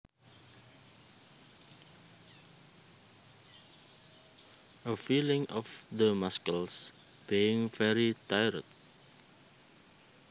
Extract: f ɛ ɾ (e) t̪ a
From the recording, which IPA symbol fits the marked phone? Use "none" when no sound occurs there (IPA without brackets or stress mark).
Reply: i